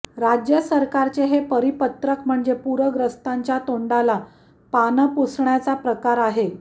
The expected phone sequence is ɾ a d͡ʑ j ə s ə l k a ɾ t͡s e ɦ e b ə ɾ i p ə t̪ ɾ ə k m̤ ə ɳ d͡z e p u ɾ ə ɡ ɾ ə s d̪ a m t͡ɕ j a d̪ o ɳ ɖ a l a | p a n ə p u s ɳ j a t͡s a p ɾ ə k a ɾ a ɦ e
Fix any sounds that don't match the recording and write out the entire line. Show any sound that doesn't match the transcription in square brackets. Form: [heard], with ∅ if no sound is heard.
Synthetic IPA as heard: ɾ a d͡ʑ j ə s ə [ɾ] k a ɾ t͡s e ɦ e [p] ə ɾ i p ə t̪ ɾ ə k m̤ ə ɳ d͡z e p u ɾ ə ɡ ɾ ə s [t̪] a [ɲ] t͡ɕ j a [t̪] o ɳ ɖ a l a | p a n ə p u s ɳ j a t͡s a p ɾ ə k a ɾ a ɦ e

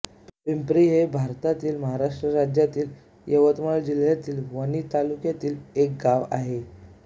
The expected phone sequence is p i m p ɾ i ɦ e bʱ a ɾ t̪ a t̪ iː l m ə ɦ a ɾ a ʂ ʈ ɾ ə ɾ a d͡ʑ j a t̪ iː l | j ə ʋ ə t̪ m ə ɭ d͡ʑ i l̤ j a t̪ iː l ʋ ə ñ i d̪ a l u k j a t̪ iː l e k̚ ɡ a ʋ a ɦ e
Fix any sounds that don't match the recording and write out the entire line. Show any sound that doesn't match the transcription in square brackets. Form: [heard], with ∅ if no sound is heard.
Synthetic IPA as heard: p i m p ɾ i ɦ e bʱ a ɾ t̪ a t̪ iː l m ə ɦ a ɾ a ʂ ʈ ɾ ə ɾ a d͡ʑ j a t̪ iː l | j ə ʋ ə t̪ m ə ɭ d͡ʑ i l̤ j a t̪ iː l ʋ ə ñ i [t̪] a l u k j a t̪ iː l e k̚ ɡ a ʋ a ɦ e

